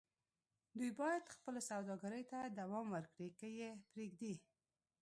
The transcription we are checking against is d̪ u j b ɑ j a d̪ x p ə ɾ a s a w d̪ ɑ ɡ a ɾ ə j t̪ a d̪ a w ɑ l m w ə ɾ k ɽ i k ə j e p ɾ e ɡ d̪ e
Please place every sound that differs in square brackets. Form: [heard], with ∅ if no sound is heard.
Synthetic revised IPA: d̪ u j b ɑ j a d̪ x p ə [l] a s a w d̪ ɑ ɡ a ɾ ə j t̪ a d̪ a w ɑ [∅] m w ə ɾ k ɽ i k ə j e p ɾ e ɡ d̪ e